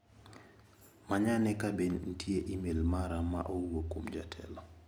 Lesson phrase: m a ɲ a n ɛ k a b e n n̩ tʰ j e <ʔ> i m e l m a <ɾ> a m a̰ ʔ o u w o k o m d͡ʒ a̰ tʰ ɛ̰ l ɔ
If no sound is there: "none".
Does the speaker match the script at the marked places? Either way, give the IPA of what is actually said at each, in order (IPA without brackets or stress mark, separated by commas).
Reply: ʔ, ɾ